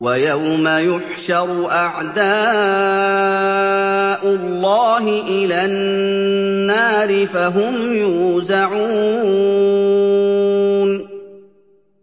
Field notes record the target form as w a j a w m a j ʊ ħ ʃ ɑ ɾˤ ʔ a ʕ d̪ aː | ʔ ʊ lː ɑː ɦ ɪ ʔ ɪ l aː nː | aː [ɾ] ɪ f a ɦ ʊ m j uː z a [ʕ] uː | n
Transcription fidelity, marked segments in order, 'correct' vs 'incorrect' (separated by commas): correct, correct